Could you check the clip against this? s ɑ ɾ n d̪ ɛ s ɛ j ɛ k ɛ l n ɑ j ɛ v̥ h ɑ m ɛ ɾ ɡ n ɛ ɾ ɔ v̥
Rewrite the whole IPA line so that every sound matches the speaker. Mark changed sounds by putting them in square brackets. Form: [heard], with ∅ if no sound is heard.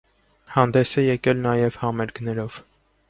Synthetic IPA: [h] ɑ [∅] n d̪ ɛ s ɛ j ɛ k ɛ l n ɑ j ɛ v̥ h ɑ m ɛ ɾ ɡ n ɛ ɾ ɔ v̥

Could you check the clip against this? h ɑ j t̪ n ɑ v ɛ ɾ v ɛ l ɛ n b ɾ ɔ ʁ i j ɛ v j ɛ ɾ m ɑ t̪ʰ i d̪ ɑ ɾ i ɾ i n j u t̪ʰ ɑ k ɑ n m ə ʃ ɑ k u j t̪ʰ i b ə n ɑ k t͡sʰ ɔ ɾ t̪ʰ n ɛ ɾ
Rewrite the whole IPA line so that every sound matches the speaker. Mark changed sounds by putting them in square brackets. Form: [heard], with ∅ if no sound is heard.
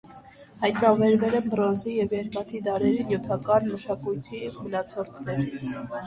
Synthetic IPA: h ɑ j t̪ n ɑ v ɛ ɾ v ɛ l ɛ n b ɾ ɔ [z] i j ɛ v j ɛ ɾ m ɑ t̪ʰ i d̪ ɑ ɾ [ɛ] ɾ i n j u t̪ʰ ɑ k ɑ n m ə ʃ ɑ k u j t̪ʰ i [m] ə n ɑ [∅] t͡sʰ ɔ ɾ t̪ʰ n ɛ ɾ

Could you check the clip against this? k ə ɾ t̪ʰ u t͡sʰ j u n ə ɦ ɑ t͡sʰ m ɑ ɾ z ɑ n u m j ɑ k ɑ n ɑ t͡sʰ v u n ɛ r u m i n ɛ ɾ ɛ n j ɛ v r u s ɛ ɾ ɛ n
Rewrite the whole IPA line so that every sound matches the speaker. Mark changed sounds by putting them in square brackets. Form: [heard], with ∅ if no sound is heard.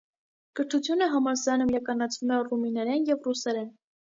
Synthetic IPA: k ə ɾ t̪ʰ u t͡sʰ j u n ə ɦ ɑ [∅] m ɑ ɾ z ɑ n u m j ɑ k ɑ n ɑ t͡sʰ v u [m] ɛ r u m i n ɛ ɾ ɛ n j ɛ v r u s ɛ ɾ ɛ n

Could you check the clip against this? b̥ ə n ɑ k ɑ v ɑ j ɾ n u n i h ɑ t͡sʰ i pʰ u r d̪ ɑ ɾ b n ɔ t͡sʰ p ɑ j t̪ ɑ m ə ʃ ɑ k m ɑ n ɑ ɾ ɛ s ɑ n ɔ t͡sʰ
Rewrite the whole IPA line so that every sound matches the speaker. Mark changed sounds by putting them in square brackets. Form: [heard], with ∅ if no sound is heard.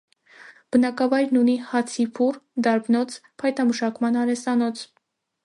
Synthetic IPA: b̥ ə n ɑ k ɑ v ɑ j ɾ n u n i h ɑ t͡sʰ i pʰ u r d̪ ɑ ɾ b n ɔ t͡sʰ [pʰ] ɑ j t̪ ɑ m ə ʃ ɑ k m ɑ n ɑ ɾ ɛ s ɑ n ɔ t͡sʰ

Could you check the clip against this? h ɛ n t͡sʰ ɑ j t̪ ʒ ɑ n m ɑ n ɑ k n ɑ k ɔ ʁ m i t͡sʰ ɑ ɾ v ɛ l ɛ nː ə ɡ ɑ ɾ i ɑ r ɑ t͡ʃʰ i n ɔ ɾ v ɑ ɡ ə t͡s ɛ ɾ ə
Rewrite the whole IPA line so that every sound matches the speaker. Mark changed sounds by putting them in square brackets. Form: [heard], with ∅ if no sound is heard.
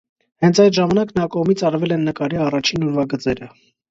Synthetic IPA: h ɛ n t͡sʰ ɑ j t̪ ʒ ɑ [∅] m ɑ n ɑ k n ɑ k ɔ ʁ m i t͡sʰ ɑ ɾ v ɛ l ɛ nː ə [k] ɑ ɾ i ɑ r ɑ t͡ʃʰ i n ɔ ɾ v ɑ ɡ ə t͡s ɛ ɾ ə

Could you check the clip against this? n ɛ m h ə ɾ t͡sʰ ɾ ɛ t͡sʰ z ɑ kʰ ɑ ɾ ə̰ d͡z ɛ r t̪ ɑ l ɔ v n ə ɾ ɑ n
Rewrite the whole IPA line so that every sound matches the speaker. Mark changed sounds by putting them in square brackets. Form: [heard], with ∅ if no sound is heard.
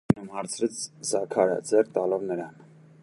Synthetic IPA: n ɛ m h [ɑ] ɾ t͡sʰ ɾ ɛ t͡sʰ z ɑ kʰ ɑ ɾ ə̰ d͡z ɛ r t̪ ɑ l ɔ v n ə ɾ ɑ n

